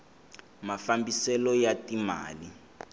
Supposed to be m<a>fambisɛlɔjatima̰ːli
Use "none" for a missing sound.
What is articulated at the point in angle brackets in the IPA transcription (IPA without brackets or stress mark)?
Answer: a